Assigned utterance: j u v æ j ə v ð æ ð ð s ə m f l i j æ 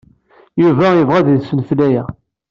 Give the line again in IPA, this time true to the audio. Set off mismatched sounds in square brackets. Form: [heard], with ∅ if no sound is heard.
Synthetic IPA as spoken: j u v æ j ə v [ʁ] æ ð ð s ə [n] f l [æ] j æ

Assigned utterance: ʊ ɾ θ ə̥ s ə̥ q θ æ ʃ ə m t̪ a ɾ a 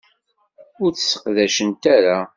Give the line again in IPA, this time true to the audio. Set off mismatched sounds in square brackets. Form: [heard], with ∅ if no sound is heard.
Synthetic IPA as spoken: ʊ ɾ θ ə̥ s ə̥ q [ð] æ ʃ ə [n] t̪ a ɾ a

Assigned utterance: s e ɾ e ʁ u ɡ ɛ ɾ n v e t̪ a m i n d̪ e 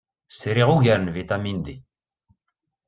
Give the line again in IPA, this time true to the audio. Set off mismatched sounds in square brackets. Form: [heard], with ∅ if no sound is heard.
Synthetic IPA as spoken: s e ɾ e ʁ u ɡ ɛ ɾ n v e t̪ a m i n d̪ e

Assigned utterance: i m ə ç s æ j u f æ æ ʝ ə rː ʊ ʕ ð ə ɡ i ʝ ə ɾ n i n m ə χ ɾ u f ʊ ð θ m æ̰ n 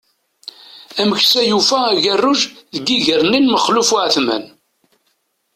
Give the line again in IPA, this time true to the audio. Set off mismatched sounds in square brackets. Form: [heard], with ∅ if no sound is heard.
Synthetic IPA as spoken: [æ] m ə ç s æ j u f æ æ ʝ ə rː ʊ [ʒ] ð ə ɡ i ʝ ə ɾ n i n m ə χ [l] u f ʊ [ʕ] θ m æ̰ n

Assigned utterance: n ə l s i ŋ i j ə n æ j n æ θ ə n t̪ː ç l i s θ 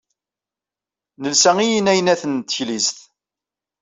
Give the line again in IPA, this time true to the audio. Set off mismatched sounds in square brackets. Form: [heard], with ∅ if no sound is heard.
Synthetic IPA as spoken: n ə l s [æ] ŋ i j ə n æ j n æ θ ə n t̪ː ç l i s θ

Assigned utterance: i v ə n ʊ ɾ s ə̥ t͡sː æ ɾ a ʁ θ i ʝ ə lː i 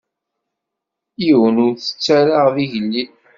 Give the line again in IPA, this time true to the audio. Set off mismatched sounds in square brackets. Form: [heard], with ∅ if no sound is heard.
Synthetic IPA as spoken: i [w] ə n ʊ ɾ [θ] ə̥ t͡sː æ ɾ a ʁ [ð] i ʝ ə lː i

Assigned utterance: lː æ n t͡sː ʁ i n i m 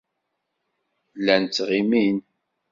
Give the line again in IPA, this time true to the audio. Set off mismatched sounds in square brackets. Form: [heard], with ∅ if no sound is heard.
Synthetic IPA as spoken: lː æ n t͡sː ʁ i [m] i [n]

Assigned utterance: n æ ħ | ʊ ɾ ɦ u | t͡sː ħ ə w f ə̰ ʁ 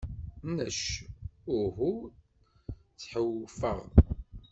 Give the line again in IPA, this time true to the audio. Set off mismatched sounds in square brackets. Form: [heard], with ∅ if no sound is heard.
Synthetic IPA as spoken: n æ [ʃ] | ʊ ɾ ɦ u | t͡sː ħ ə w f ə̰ ʁ

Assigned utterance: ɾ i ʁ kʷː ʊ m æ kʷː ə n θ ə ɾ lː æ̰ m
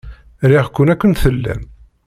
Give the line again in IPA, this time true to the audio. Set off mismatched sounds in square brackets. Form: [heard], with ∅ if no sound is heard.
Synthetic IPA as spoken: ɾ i ʁ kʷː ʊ [n] æ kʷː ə n θ ə [∅] lː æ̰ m

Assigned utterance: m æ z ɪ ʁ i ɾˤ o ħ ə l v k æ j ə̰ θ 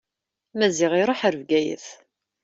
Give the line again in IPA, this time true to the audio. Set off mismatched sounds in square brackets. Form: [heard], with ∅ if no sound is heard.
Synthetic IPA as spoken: m æ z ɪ ʁ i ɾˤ o ħ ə [ɾ] v [ɡ] æ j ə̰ θ

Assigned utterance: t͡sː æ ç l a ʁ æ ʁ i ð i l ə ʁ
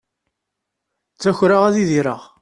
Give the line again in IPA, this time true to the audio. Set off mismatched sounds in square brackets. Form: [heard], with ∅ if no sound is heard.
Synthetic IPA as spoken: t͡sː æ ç [ɾ] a ʁ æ [ð] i ð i [ɾ] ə ʁ

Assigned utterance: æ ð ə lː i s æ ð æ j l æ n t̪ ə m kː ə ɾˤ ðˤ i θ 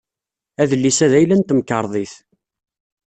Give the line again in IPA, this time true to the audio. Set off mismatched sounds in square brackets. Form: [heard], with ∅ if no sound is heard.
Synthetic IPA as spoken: æ ð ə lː i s æ ð æ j l æ n t̪ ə m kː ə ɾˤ ðˤ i θ

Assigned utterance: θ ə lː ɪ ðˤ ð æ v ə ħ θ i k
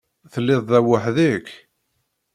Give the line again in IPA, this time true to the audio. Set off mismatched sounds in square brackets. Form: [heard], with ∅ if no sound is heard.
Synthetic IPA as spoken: θ ə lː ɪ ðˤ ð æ [w] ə ħ [ð] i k

